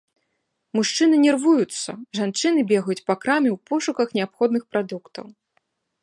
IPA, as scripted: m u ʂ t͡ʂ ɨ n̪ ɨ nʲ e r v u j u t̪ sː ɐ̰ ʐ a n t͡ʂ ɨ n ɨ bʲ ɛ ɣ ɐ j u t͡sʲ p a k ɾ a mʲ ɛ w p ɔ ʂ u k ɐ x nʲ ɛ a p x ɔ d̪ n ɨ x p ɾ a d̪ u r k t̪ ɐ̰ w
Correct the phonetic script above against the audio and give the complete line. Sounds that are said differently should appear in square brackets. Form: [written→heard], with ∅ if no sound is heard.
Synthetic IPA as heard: m u ʂ t͡ʂ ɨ n̪ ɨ nʲ [e→ɛ] r v u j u t̪ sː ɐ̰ ʐ a n t͡ʂ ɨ n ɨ bʲ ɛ ɣ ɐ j u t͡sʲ p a k ɾ a mʲ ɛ w p ɔ ʂ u k ɐ x nʲ ɛ a p x ɔ d̪ n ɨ x p ɾ a d̪ u [r→∅] k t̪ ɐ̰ w